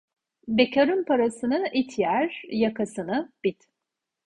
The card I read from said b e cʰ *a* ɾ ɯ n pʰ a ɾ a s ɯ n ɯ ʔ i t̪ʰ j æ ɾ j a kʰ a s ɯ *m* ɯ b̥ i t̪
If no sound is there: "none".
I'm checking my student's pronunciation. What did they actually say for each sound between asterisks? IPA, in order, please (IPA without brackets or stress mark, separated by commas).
a, n